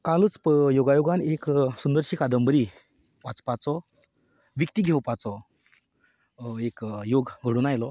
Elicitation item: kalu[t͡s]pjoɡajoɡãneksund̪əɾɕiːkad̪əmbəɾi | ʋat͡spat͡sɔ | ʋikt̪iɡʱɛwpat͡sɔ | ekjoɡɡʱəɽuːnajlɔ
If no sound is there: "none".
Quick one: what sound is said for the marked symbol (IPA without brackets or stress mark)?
t͡s